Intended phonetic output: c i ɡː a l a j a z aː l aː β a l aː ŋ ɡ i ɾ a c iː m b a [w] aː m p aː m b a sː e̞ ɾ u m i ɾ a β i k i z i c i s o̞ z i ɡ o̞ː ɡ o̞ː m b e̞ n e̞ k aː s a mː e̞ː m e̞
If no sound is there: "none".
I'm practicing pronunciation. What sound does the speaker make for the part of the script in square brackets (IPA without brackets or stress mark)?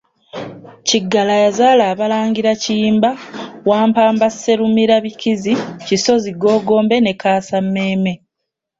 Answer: w